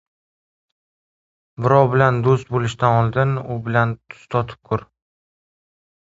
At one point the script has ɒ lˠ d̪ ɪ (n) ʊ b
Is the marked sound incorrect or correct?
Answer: correct